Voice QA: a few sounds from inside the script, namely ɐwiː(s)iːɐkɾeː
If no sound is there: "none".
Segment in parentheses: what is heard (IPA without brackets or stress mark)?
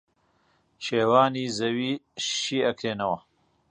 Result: ʃ